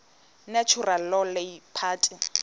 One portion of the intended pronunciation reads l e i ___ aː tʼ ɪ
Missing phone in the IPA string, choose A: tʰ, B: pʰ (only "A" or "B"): B